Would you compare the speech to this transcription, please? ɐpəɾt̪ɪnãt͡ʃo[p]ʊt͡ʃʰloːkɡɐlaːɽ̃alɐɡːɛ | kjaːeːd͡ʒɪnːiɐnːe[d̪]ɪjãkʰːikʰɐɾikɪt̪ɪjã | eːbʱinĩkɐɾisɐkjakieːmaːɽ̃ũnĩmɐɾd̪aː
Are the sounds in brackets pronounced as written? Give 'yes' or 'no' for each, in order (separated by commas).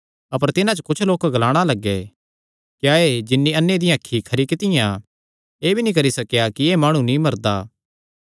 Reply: no, yes